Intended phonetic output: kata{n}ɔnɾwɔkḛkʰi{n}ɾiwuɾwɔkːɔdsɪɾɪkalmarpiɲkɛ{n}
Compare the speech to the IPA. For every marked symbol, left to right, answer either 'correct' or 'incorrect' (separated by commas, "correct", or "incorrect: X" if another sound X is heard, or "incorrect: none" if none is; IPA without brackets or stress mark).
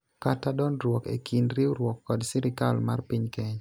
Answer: incorrect: d, correct, incorrect: ɲ